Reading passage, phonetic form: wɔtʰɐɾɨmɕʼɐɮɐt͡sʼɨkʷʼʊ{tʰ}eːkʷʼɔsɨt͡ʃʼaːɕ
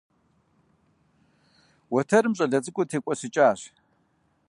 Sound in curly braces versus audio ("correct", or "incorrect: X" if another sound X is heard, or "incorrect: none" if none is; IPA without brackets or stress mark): correct